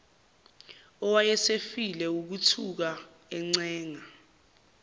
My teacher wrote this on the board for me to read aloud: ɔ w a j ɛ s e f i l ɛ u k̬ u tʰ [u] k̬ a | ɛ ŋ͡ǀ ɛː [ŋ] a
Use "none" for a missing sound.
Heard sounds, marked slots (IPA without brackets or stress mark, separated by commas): u, ŋ